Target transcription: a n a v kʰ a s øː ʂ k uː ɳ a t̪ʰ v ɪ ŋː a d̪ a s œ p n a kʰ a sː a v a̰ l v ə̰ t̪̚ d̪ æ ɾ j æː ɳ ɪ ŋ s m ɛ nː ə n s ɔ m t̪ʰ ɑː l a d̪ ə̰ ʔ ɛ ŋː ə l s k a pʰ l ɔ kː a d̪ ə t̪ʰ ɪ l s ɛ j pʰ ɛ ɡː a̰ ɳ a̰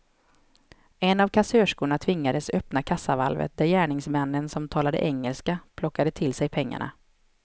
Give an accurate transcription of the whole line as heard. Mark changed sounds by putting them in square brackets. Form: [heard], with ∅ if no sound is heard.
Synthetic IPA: [ɛ] n a v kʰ a s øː ʂ k uː ɳ a t̪ʰ v ɪ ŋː a d̪ [ə] s œ p n a kʰ a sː a v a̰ l v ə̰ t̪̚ d̪ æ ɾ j æː ɳ ɪ ŋ s m ɛ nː ə n s ɔ m t̪ʰ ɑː l a d̪ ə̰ ʔ ɛ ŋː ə l s k a pʰ l ɔ kː a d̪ ə t̪ʰ ɪ l s ɛ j pʰ ɛ [ŋː] a̰ ɳ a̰

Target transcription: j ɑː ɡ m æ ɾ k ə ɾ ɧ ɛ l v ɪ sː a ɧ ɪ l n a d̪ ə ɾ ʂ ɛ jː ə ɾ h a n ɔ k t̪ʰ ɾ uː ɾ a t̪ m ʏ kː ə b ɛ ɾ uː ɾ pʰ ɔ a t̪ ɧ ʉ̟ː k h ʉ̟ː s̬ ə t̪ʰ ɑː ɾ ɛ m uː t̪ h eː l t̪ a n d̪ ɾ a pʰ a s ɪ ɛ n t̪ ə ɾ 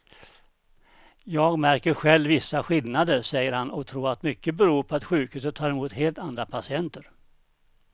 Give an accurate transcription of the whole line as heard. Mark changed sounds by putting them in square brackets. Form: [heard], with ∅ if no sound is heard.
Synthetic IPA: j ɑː ɡ m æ ɾ k ə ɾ ɧ ɛ l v ɪ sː a ɧ ɪ l n a d̪ ə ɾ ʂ ɛ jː ə ɾ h a n ɔ k t̪ʰ ɾ uː ɾ a t̪ m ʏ kː ə b ɛ ɾ uː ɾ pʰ ɔ a t̪ ɧ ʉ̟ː k h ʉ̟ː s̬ ə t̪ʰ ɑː ɾ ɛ m uː t̪ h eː l t̪ a n d̪ ɾ a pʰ a s ɪ ɛ n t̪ ə ɾ

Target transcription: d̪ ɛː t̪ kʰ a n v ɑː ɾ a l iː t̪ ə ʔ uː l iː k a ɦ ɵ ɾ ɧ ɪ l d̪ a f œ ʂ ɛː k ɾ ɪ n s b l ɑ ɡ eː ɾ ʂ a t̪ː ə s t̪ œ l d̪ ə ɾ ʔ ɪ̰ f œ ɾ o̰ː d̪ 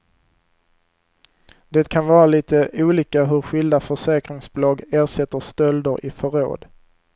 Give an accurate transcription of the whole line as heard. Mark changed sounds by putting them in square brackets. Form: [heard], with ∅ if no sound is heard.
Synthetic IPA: d̪ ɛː t̪ kʰ a n v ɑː ɾ a l iː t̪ ə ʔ uː l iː k a ɦ ɵ ɾ ɧ ɪ l d̪ a f œ ʂ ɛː k ɾ ɪ [ŋ] s b l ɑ ɡ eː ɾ ʂ [ɛ] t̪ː ə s t̪ œ l d̪ ə ɾ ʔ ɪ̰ f œ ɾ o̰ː d̪

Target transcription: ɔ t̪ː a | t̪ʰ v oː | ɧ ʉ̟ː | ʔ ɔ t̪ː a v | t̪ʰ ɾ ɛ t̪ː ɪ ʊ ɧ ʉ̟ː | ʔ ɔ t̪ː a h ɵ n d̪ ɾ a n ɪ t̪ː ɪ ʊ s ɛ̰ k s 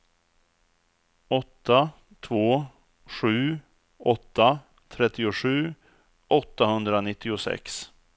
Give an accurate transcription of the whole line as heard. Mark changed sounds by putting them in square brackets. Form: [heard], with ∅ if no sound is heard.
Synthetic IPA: ɔ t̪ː a | t̪ʰ v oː | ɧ ʉ̟ː | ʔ ɔ t̪ː a [∅] | t̪ʰ ɾ ɛ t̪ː ɪ ʊ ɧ ʉ̟ː | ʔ ɔ t̪ː a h ɵ n d̪ ɾ a n ɪ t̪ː ɪ ʊ s ɛ̰ k s

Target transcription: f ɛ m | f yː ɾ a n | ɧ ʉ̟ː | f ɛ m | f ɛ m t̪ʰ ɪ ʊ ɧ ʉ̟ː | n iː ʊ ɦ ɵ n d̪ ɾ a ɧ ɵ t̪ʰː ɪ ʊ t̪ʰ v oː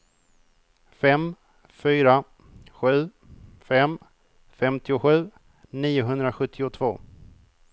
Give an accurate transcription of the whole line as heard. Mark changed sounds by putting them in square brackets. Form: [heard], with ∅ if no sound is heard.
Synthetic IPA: f ɛ m | f yː ɾ a [∅] | ɧ ʉ̟ː | f ɛ m | f ɛ m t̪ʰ ɪ ʊ ɧ ʉ̟ː | n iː ʊ ɦ ɵ n d̪ ɾ a ɧ ɵ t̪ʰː ɪ ʊ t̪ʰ v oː

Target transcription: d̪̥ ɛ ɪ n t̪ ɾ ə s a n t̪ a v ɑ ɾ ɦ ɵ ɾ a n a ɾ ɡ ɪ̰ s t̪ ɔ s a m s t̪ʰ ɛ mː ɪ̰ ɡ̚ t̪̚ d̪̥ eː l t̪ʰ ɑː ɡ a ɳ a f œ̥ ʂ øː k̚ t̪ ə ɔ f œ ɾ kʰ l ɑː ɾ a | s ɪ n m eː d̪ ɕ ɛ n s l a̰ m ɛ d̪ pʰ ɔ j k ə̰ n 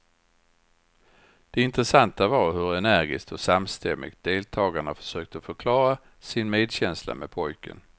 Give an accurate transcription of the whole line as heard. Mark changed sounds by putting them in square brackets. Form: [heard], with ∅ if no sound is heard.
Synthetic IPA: d̪̥ ɛ ɪ n t̪ ɾ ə s a n t̪ a v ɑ ɾ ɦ ɵ ɾ [ɛ] n [æ] ɾ ɡ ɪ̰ s t̪ ɔ s a m s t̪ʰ ɛ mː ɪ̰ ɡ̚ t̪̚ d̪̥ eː l t̪ʰ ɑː ɡ a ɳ a f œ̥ ʂ øː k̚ t̪ ə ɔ f œ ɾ kʰ l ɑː ɾ a | s ɪ n m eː d̪ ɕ ɛ n s l a̰ m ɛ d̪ pʰ ɔ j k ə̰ n

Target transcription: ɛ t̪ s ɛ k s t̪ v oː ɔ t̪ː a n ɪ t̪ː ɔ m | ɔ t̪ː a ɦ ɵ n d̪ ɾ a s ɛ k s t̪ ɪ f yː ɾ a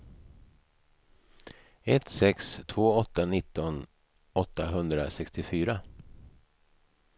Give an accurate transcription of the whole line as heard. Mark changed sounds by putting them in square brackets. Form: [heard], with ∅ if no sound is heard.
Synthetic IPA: ɛ t̪ s ɛ k s [t̪ʰ] v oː ɔ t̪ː a n ɪ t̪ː ɔ [n] | ɔ t̪ː a ɦ ɵ n d̪ ɾ a s ɛ k s t̪ ɪ f yː ɾ a

